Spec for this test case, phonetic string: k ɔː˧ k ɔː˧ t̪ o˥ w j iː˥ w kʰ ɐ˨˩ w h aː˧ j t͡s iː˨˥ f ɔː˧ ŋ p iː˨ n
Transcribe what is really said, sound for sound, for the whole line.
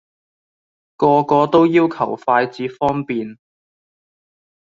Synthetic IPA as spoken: k ɔː˧ k ɔː˧ t̪ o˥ w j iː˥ w kʰ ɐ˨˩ w f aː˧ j t͡s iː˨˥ f ɔː˥ ŋ p iː˨ n